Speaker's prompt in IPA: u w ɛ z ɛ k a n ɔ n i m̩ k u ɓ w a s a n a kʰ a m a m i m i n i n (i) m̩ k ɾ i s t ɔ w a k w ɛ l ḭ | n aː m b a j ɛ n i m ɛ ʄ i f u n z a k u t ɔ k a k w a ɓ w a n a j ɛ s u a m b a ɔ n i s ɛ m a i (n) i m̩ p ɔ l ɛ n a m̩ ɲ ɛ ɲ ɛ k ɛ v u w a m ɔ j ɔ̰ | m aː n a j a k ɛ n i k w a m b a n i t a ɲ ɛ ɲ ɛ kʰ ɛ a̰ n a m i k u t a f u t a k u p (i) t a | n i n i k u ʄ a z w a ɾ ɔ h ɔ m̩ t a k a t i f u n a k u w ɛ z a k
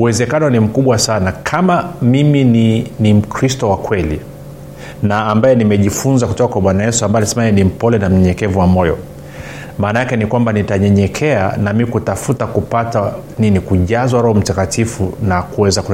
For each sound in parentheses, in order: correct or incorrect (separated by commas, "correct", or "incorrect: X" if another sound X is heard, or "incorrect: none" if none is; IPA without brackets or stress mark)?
correct, correct, incorrect: a